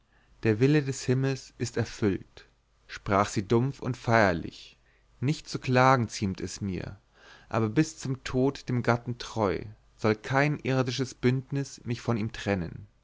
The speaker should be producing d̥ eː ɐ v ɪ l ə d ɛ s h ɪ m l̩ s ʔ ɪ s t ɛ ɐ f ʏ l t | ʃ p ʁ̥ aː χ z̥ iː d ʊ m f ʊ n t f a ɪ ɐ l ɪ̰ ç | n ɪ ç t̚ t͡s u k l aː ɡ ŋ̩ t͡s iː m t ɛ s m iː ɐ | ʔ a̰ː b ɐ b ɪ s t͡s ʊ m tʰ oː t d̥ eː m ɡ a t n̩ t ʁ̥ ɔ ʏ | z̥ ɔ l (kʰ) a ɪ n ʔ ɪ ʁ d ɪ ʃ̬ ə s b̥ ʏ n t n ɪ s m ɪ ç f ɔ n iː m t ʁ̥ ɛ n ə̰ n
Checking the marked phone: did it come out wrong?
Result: no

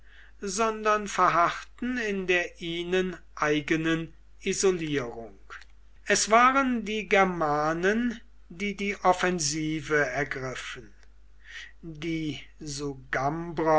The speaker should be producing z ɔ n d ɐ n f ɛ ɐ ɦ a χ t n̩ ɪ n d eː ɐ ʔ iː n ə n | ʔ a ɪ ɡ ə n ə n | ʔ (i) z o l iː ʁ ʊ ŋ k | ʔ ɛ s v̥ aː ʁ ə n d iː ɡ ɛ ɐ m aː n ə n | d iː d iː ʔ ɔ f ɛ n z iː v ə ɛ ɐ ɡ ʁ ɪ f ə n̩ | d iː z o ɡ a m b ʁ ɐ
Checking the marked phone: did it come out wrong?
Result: no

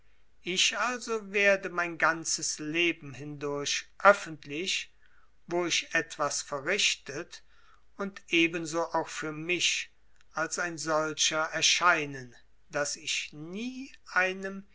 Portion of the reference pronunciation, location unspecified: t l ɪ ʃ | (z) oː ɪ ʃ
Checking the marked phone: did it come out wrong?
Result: yes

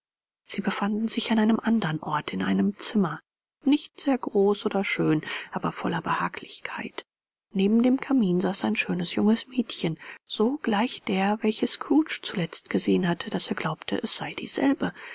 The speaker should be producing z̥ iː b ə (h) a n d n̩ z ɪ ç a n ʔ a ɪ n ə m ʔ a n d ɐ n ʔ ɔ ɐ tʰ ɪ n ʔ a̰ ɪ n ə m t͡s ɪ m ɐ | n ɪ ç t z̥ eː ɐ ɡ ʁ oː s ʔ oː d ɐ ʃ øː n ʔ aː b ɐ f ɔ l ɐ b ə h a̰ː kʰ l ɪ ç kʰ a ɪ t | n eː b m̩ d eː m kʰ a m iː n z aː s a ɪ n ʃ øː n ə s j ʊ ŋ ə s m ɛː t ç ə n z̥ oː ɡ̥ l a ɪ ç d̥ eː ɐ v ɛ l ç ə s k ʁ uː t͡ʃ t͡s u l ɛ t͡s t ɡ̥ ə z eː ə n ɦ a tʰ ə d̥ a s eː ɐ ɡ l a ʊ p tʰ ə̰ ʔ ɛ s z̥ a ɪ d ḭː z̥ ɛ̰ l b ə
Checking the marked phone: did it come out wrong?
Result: yes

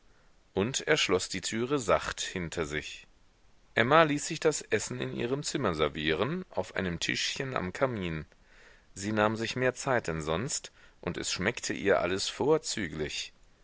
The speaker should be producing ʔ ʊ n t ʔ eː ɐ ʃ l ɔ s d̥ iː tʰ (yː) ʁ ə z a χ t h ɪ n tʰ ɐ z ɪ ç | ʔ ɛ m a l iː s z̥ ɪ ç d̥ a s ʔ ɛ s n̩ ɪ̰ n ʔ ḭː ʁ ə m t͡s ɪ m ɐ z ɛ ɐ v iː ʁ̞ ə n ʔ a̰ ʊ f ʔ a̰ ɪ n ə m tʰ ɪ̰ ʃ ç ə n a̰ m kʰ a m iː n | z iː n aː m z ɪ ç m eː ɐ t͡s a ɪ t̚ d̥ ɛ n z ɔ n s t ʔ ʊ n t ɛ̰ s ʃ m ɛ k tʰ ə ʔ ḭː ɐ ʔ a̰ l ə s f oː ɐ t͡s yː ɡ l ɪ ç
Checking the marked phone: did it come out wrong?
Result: no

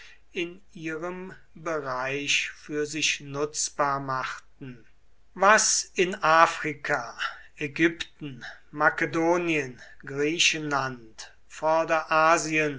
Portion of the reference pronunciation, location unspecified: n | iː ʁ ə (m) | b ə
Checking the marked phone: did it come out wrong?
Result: no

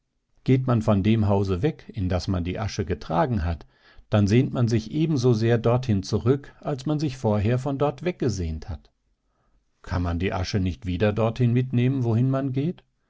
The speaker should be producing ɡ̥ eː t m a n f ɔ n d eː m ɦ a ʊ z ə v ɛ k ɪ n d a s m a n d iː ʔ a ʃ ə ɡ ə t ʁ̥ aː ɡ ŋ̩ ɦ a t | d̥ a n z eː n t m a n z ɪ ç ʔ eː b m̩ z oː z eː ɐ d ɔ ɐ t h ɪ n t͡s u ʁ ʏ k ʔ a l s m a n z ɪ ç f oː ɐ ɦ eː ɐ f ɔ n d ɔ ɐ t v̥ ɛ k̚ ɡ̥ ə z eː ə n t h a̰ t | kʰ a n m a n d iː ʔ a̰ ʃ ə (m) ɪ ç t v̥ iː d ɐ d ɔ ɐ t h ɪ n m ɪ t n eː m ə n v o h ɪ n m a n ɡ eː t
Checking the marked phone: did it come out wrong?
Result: yes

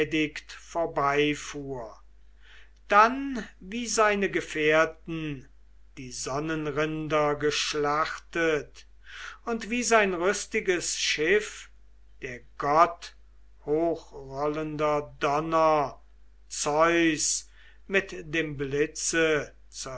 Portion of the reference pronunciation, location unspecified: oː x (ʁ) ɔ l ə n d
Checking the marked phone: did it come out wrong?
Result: no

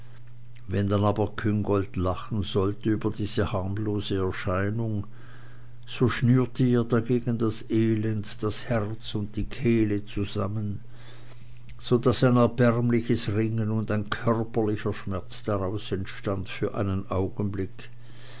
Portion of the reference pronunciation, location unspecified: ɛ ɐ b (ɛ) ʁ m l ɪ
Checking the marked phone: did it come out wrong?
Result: no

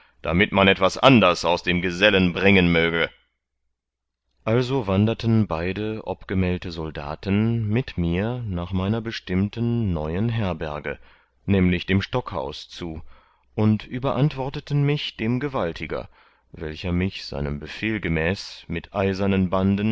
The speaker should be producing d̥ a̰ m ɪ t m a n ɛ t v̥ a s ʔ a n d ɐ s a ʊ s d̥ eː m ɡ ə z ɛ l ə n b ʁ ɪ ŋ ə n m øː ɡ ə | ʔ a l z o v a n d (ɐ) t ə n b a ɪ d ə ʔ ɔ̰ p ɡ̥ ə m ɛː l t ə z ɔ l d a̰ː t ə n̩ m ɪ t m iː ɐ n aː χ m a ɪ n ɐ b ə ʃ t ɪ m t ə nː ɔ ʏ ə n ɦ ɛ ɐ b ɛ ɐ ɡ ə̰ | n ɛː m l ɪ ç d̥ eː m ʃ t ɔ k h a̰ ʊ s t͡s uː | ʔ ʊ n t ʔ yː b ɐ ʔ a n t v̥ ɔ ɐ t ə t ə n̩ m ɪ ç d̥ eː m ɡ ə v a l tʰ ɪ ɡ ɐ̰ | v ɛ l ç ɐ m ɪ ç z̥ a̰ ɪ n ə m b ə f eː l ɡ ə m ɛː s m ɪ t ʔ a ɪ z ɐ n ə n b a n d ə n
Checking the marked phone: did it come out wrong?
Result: no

